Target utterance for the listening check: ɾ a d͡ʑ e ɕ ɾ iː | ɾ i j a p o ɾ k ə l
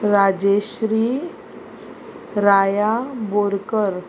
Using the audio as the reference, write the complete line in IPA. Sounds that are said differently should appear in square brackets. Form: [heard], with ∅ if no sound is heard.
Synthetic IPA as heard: ɾ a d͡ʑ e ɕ ɾ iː | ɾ [a] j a [b] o ɾ k ə [ɾ]

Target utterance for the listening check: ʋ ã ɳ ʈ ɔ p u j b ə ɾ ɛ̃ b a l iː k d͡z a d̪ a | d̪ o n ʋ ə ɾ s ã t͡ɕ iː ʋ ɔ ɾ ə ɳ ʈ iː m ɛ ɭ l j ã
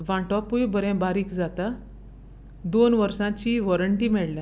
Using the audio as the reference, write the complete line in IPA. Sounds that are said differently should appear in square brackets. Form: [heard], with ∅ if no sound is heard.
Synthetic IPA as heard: ʋ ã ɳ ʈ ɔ p u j b ə ɾ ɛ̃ b a [ɾ] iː k d͡z a [t̪] a | d̪ o n ʋ ə ɾ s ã t͡ɕ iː ʋ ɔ ɾ ə ɳ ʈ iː m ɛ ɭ l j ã

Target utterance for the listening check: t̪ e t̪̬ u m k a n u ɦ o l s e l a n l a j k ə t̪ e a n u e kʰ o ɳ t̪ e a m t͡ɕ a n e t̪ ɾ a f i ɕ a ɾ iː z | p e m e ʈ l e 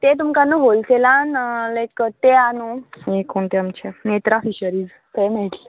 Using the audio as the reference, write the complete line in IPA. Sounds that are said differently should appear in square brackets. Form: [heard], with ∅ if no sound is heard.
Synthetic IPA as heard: t̪ e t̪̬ u m k a n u ɦ o l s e l a n l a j k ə t̪ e a n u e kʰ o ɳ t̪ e a m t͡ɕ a n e t̪ ɾ a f i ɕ [ə] ɾ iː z | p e m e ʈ l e

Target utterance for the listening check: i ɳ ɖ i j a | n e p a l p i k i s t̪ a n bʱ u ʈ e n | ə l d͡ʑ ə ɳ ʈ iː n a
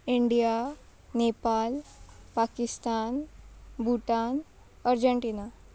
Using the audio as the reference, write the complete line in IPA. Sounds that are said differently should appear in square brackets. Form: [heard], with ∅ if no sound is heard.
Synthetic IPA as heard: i ɳ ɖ i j a | n e p a l p [a] k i s t̪ a n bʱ u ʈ [a] n | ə [ɾ] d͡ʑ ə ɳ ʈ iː n a

